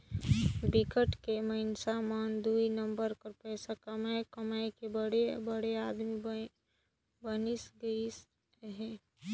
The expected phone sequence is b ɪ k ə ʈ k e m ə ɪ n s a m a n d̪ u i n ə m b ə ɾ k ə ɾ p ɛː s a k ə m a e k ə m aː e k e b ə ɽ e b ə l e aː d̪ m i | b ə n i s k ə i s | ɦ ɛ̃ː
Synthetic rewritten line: b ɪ k ə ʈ k e m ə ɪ n s a m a n d̪ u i n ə m b ə ɾ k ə ɾ p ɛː s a k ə m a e k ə m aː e k e b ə ɽ e b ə ɽ e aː d̪ m i | b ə n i s ɡ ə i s | ɦ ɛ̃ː